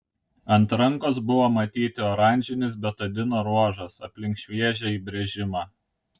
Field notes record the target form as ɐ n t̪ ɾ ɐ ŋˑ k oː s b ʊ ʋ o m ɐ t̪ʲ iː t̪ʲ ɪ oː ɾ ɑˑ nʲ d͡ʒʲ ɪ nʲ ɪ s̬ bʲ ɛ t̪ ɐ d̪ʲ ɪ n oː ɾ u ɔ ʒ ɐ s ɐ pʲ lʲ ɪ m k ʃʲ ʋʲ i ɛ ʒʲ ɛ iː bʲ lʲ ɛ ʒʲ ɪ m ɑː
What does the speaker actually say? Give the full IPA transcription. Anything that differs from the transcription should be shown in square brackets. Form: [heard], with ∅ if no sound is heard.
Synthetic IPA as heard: ɐ n t̪ ɾ ɐ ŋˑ k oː s b ʊ ʋ o m ɐ t̪ʲ iː t̪ʲ ɪ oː ɾ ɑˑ nʲ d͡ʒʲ ɪ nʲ ɪ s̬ bʲ ɛ t̪ ɐ d̪ʲ ɪ n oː ɾ u ɔ ʒ ɐ s ɐ pʲ lʲ ɪ [ŋ] k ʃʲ ʋʲ i ɛ ʒʲ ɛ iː bʲ [ɾʲ] ɛ ʒʲ ɪ m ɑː